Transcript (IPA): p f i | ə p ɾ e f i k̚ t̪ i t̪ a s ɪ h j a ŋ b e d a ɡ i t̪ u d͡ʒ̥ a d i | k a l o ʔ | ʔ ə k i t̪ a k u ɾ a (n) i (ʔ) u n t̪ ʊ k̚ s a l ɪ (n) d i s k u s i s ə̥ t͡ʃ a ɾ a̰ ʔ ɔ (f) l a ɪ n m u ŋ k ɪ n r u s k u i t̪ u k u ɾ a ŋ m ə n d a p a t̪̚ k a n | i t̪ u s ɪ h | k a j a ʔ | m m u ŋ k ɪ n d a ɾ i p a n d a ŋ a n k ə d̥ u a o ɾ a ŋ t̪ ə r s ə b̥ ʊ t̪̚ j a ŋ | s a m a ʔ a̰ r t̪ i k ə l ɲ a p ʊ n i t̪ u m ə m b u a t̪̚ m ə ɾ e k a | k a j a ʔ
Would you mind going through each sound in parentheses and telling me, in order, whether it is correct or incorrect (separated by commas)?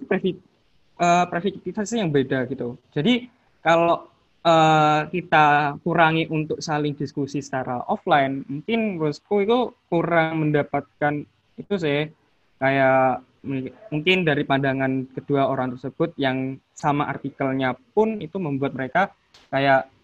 incorrect, correct, incorrect, correct